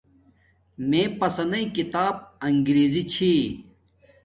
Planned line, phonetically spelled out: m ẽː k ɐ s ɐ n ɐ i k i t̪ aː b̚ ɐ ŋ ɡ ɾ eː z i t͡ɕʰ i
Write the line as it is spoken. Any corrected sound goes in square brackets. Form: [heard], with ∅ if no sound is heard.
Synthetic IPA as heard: m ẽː [p] ɐ s ɐ n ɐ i k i t̪ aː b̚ ɐ ŋ ɡ ɾ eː z i t͡ɕʰ i